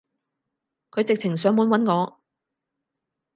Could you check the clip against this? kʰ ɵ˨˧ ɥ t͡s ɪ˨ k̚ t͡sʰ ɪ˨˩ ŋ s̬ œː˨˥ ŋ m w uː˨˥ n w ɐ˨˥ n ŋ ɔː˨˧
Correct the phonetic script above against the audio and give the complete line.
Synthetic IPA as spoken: kʰ ɵ˨˧ ɥ t͡s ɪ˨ k̚ t͡sʰ ɪ˨˩ ŋ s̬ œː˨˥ ŋ m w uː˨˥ n w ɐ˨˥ n ŋ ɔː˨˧